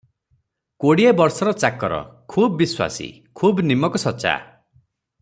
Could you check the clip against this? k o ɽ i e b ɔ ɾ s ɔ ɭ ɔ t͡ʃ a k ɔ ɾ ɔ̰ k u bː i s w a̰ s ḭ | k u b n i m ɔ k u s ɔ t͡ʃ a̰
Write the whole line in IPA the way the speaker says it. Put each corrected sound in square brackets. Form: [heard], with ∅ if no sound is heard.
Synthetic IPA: k o ɽ i e b ɔ ɾ s ɔ [ɾ] ɔ t͡ʃ a k ɔ ɾ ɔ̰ [kʰ] u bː i s w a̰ s ḭ | [kʰ] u b n i m ɔ k [ɔ] s ɔ t͡ʃ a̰